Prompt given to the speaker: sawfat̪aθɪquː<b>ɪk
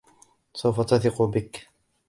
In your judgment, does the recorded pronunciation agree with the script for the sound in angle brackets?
yes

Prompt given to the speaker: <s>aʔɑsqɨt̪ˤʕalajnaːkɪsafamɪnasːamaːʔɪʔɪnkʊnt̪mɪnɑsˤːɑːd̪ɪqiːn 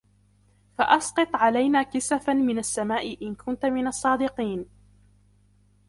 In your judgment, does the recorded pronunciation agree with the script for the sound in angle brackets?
no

